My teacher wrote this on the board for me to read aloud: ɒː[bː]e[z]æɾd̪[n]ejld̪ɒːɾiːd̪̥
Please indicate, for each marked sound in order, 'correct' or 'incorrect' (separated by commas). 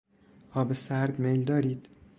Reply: incorrect, incorrect, incorrect